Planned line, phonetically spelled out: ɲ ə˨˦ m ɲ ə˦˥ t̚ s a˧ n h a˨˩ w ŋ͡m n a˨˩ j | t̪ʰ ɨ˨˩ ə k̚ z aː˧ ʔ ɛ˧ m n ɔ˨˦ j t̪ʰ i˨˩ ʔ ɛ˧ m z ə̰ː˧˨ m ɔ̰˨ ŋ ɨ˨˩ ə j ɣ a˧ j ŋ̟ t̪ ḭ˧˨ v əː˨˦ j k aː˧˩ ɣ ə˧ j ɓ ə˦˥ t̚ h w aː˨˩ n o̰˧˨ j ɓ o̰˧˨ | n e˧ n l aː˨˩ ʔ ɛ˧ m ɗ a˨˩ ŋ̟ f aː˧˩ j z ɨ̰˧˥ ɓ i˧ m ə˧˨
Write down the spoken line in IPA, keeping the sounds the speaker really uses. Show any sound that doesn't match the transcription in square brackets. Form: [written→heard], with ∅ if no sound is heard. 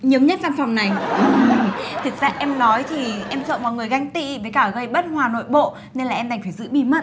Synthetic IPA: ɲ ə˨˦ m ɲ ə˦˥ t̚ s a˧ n [h→f] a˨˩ w ŋ͡m n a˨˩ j | t̪ʰ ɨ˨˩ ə k̚ z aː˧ ʔ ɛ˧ m n ɔ˨˦ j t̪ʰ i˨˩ ʔ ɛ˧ m [z→s] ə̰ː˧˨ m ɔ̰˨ ŋ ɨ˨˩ ə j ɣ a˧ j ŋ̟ t̪ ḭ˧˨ v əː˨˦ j k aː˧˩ ɣ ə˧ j ɓ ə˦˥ t̚ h w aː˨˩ n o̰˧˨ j ɓ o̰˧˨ | n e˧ n l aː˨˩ ʔ ɛ˧ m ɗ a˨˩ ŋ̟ f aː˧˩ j z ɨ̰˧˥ ɓ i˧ m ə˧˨